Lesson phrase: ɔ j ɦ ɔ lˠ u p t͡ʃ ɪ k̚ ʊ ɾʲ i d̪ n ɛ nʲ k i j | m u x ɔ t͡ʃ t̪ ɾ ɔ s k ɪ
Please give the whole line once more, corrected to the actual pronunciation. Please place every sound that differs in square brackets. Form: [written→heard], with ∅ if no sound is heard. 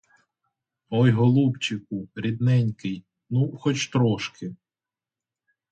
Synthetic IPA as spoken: ɔ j ɦ ɔ lˠ u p t͡ʃ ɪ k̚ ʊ ɾʲ i d̪ n ɛ nʲ k [i→ɪ] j | [m→n] u x ɔ t͡ʃ t̪ ɾ ɔ [s→ʃ] k ɪ